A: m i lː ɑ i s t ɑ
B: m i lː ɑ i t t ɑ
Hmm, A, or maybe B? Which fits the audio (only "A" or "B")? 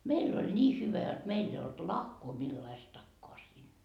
A